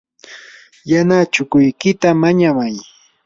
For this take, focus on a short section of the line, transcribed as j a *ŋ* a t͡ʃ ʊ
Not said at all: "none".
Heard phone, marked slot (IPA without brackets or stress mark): n